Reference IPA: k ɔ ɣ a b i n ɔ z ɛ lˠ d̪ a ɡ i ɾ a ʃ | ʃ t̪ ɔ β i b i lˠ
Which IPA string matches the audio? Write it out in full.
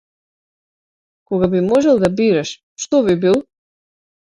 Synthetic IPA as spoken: k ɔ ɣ a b i m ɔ ʒ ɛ lˠ d̪ a b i ɾ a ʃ | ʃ t̪ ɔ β i b i lˠ